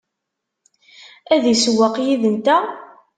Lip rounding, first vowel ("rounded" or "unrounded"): unrounded